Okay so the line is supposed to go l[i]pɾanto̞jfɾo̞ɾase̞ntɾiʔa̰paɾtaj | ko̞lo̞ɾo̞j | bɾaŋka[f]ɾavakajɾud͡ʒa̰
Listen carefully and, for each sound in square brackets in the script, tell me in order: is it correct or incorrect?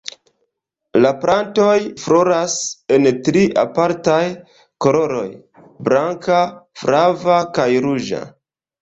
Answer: incorrect: a, correct

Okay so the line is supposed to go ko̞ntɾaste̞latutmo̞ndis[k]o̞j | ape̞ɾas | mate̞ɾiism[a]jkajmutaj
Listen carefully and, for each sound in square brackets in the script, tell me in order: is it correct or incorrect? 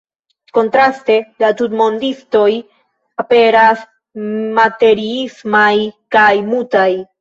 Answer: incorrect: t, correct

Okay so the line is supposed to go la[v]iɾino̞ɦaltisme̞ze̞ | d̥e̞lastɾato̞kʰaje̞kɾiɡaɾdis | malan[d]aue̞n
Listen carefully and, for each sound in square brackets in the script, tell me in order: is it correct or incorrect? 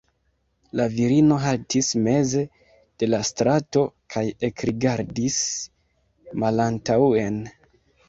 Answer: correct, incorrect: t

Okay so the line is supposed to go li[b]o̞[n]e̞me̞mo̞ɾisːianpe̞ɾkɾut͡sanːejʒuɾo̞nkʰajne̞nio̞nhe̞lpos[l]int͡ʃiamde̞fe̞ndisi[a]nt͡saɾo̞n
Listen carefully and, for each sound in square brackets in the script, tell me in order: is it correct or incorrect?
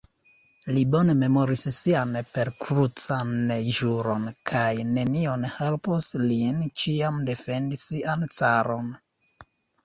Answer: correct, correct, correct, correct

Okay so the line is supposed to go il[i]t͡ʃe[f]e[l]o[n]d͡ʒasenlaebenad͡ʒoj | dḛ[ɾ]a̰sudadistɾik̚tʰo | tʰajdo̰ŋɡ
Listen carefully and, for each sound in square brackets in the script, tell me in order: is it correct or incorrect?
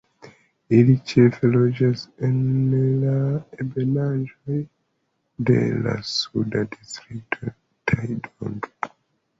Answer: correct, correct, correct, incorrect: none, incorrect: l

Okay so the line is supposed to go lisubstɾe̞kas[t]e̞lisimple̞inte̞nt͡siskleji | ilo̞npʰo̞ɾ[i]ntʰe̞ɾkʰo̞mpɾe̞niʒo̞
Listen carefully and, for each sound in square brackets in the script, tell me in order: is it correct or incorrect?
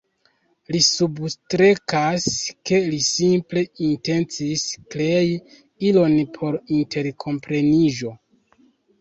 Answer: incorrect: k, correct

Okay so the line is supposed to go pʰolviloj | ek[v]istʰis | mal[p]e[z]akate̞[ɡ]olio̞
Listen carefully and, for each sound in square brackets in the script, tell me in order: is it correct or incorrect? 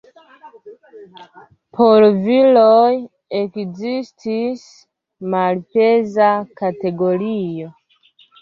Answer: incorrect: z, correct, correct, correct

